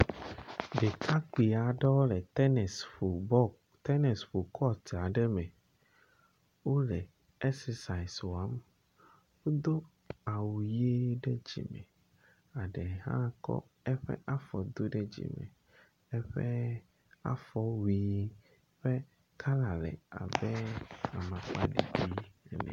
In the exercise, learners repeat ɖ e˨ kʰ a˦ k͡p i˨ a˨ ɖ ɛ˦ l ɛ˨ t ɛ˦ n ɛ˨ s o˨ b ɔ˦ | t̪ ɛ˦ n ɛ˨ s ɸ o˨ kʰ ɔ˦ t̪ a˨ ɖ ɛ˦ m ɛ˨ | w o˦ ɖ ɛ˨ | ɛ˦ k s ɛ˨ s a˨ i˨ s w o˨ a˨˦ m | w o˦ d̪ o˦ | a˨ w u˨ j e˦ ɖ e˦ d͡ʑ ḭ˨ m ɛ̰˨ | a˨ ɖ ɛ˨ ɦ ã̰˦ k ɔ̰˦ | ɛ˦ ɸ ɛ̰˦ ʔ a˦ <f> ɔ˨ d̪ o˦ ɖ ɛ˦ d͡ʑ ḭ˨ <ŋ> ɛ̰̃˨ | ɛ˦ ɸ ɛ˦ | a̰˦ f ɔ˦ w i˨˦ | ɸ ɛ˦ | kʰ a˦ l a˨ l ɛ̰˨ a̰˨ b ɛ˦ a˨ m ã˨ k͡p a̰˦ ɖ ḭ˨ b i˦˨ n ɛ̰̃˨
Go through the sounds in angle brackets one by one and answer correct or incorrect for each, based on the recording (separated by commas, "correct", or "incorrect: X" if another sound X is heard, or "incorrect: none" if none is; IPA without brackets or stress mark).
correct, incorrect: m